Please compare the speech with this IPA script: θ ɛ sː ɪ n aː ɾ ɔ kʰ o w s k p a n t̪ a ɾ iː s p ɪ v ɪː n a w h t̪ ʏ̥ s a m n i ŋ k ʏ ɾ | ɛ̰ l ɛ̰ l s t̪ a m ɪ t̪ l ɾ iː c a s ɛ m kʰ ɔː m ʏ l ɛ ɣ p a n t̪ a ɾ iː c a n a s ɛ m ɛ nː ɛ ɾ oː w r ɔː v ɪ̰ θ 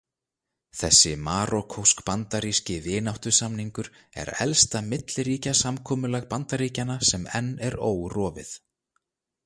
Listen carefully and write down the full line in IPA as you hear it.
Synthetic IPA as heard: θ ɛ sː ɪ m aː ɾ ɔ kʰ o w s k p a n t̪ a ɾ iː s c ɪ v ɪː n a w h t̪ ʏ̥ s a m n i ŋ k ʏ ɾ | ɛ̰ ɾ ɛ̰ l s t̪ a m ɪ t̪ l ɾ iː c a s a m kʰ ɔː m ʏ l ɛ ɣ p a n t̪ a ɾ iː c a n a s ɛ m ɛ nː ɛ ɾ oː w r ɔː v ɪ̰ θ